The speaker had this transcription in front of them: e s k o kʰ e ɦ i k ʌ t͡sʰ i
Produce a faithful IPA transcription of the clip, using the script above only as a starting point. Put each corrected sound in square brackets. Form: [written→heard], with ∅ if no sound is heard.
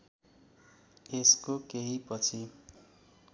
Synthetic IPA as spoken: e s k o [kʰ→k] e ɦ i [k→p] ʌ t͡sʰ i